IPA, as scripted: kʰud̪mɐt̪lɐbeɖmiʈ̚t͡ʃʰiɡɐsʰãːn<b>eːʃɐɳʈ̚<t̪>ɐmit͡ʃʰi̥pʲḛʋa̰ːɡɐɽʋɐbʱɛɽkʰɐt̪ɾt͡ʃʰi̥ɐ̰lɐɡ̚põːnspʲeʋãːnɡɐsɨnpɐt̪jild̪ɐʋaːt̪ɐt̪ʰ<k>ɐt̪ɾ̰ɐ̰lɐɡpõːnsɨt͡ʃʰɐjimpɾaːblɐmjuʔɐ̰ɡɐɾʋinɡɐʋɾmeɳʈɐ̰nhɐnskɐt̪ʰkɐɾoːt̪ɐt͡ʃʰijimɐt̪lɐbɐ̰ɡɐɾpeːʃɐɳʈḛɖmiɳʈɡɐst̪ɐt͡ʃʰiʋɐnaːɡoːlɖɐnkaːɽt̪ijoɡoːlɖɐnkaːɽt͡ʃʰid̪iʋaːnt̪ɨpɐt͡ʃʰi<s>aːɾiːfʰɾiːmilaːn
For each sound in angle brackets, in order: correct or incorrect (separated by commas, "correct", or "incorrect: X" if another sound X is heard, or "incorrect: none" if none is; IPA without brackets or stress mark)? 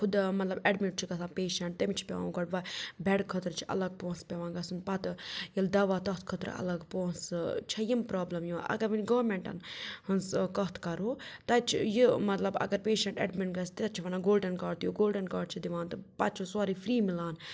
incorrect: p, correct, incorrect: kʰ, correct